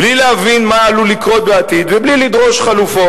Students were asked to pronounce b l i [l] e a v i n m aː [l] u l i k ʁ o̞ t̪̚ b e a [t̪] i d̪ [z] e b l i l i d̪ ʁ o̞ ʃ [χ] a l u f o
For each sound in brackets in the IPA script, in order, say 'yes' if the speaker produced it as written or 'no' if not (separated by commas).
yes, yes, yes, no, yes